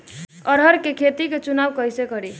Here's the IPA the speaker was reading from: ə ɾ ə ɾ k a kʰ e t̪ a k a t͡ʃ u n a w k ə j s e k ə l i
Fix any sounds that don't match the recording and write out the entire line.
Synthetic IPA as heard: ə ɾ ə ɾ k e kʰ e t̪ i k e t͡ʃ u n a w k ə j s e k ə ɾ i